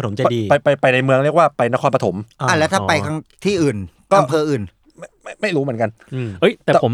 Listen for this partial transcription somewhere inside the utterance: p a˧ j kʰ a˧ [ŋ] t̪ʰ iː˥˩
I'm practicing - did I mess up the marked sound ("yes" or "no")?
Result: no